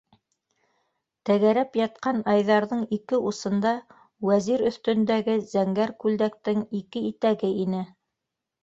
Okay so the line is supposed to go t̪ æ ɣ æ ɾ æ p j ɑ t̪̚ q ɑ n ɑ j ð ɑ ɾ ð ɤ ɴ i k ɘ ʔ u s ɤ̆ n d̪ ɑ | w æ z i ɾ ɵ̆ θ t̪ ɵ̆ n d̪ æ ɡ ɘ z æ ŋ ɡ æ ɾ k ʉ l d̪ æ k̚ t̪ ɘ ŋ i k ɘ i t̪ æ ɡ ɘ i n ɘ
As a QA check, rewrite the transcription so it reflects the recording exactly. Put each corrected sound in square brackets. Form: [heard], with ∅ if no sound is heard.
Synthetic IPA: t̪ æ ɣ æ ɾ æ p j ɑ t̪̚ q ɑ n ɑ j ð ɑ ɾ ð ɤ ɴ i k ɘ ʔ u s ɤ̆ n d̪ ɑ | w æ z i ɾ ɵ̆ θ t̪ ɵ̆ n d̪ æ ɡ ɘ z æ ŋ ɡ æ ɾ k ʉ l d̪ æ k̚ t̪ ɘ ŋ i k ɘ i t̪ æ ɡ ɘ i n ɘ